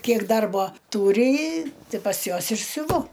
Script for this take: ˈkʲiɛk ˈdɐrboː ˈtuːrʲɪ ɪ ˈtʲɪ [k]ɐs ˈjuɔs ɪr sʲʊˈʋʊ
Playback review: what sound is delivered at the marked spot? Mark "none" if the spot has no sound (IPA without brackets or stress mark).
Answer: p